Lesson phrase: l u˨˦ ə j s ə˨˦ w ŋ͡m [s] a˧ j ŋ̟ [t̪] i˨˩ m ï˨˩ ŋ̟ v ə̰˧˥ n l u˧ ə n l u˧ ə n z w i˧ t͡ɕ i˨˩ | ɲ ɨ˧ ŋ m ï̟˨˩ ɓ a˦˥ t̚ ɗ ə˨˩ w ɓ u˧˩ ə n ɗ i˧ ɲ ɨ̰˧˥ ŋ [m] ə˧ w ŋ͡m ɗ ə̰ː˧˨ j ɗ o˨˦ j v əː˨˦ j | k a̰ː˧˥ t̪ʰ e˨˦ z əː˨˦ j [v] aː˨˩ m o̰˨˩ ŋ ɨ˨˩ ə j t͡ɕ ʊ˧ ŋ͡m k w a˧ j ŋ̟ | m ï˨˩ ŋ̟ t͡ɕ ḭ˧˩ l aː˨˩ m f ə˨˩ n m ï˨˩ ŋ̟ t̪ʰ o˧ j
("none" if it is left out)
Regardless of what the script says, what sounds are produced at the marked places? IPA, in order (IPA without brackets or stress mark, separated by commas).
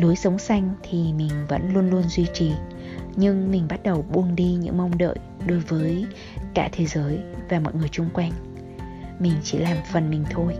s, t̪ʰ, m, v